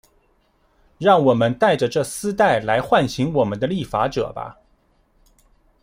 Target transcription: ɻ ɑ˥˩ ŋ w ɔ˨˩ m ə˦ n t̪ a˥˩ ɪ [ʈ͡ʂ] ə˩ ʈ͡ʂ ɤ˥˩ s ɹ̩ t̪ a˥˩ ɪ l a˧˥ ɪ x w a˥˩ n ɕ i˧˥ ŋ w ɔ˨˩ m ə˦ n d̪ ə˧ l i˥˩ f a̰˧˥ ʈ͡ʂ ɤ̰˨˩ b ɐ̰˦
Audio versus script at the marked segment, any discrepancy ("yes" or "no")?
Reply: no